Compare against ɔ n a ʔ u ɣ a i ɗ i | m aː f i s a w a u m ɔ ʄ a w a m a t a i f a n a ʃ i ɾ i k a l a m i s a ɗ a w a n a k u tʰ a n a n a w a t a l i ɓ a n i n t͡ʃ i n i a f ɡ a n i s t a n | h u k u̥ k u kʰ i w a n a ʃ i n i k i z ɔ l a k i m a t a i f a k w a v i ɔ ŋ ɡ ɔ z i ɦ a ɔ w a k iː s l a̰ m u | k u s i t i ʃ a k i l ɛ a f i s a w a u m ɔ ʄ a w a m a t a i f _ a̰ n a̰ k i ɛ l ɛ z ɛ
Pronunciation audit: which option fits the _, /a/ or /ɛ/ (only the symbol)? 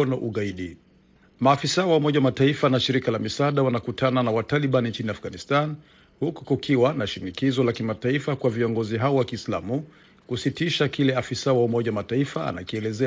a